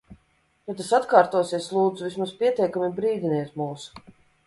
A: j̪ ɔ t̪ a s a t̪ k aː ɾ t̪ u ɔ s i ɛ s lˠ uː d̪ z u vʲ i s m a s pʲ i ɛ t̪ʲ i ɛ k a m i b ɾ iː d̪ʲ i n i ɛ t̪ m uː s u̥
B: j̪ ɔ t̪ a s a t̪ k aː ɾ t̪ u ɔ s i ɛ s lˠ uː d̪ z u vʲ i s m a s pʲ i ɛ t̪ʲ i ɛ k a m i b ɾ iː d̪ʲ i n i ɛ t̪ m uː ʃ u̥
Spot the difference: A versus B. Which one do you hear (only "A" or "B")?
A